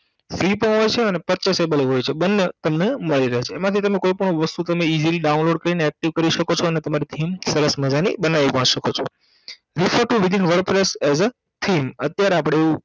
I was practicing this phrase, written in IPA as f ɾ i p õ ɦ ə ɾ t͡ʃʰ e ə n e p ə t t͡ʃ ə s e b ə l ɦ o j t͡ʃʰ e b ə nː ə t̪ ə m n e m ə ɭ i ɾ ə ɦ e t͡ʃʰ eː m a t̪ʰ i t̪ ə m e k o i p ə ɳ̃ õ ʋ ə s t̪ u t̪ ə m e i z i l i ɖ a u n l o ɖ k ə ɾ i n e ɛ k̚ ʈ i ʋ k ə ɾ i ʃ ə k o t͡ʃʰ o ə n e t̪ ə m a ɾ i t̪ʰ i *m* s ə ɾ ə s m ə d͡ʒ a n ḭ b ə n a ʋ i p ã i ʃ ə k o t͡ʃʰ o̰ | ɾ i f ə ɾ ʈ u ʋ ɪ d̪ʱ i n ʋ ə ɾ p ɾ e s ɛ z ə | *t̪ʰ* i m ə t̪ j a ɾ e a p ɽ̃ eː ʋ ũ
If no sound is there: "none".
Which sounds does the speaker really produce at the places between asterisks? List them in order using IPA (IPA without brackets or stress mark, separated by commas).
m, t̪ʰ